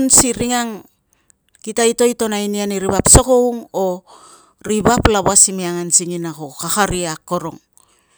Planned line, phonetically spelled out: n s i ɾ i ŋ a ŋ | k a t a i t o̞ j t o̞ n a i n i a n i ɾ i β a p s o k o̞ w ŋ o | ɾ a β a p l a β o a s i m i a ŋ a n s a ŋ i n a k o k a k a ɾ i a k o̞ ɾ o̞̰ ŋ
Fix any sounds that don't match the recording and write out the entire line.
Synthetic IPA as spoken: n s i ɾ i ŋ a ŋ | k i t a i t o̞ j t o̞ n a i n i a n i ɾ i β a p s o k o̞ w ŋ o | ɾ i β a p l a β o a s i m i a ŋ a n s i ŋ i n a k o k a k a ɾ i a k o̞ ɾ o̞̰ ŋ